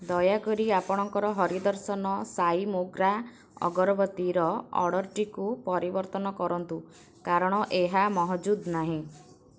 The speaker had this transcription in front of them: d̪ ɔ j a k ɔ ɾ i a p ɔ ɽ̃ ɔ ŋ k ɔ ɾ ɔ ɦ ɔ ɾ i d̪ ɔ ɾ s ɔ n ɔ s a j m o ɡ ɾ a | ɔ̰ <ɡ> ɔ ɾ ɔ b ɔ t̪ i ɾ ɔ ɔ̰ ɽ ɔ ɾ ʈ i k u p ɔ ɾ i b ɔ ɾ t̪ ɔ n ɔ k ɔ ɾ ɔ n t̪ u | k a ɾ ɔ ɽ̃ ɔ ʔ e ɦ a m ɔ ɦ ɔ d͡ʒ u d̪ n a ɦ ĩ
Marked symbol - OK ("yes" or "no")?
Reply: yes